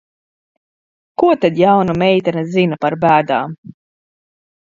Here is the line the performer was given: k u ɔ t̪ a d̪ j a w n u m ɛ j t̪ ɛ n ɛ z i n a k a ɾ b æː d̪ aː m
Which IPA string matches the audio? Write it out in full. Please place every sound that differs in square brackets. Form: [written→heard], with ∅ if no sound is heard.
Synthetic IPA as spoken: k u ɔ t̪ a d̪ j a w n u m ɛ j t̪ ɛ n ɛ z i n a [k→p] a ɾ b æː d̪ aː m